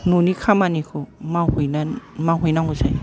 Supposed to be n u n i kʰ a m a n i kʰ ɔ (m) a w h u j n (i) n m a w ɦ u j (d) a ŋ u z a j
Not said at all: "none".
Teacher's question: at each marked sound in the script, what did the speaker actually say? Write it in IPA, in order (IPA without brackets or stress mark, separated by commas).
m, a, n